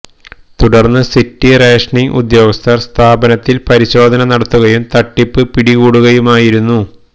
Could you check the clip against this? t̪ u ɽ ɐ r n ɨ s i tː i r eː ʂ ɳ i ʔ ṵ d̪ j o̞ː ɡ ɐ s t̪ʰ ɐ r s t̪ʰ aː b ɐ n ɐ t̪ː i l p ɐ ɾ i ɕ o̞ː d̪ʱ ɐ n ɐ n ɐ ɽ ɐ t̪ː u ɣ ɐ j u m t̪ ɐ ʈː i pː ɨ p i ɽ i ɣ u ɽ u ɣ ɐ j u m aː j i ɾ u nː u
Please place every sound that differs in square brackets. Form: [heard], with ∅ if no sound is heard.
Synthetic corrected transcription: t̪ u ɽ ɐ r [nː] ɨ s i tː i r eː ʂ ɳ i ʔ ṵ d̪ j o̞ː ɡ ɐ s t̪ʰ ɐ r s t̪ʰ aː b ɐ n ɐ t̪ː i l p ɐ ɾ i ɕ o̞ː d̪ʱ ɐ n ɐ n ɐ ɽ ɐ t̪ː u ɣ ɐ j u m t̪ ɐ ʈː i pː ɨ p i ɽ i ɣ [uː] ɽ u ɣ ɐ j u m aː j i ɾ u nː u

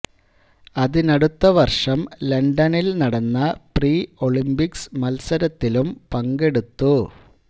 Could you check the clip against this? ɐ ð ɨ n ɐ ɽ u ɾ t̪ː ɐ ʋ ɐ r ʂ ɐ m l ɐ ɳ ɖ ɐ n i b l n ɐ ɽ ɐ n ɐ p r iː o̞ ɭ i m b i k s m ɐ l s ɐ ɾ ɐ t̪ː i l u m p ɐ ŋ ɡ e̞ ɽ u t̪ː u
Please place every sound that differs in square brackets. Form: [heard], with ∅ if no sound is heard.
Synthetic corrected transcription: ɐ ð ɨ n ɐ ɽ u [∅] t̪ː ɐ ʋ ɐ r ʂ ɐ m l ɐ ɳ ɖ ɐ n i [∅] l n ɐ ɽ ɐ [nː] ɐ p r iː o̞ ɭ i m b i k s m ɐ l s ɐ ɾ ɐ t̪ː i l u m p ɐ ŋ ɡ e̞ ɽ u t̪ː u

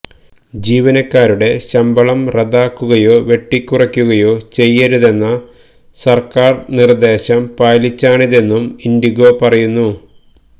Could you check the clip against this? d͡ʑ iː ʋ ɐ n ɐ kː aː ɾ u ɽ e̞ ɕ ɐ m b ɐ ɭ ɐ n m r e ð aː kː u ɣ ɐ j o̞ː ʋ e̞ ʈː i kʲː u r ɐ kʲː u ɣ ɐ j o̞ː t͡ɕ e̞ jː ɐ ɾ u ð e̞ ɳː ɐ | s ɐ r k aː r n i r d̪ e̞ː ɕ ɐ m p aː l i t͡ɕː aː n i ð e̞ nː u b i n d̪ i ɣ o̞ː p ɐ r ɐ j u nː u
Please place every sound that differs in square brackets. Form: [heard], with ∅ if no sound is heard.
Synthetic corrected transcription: d͡ʑ iː ʋ ɐ n ɐ kː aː ɾ u ɽ e̞ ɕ ɐ m b ɐ ɭ ɐ [∅] m r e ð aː kː u ɣ ɐ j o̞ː ʋ e̞ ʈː i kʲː u r ɐ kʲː u ɣ ɐ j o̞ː t͡ɕ e̞ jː ɐ ɾ u ð e̞ [nː] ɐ | s ɐ r k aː r n i r d̪ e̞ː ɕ ɐ m p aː l i t͡ɕː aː [ɳ] i ð e̞ nː u [m] i n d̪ i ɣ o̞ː p ɐ r ɐ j u nː u

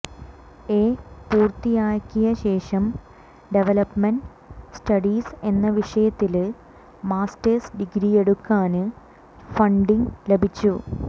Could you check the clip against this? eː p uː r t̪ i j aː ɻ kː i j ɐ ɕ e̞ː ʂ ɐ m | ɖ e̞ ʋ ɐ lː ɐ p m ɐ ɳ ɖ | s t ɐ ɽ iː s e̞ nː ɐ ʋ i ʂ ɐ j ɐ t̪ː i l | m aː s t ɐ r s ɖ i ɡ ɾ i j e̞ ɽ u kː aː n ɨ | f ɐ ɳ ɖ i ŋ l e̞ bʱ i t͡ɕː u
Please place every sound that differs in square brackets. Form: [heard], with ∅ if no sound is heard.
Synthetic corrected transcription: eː p uː r t̪ i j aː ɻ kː i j ɐ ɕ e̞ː ʂ ɐ m | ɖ e̞ ʋ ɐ [l] ɐ p m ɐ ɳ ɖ | s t ɐ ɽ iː s e̞ nː ɐ ʋ i ʂ ɐ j ɐ t̪ː i l | m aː s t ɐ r s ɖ i ɡ ɾ i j e̞ ɽ u kː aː n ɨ | f ɐ ɳ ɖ i ŋ l e̞ bʱ i t͡ɕː u

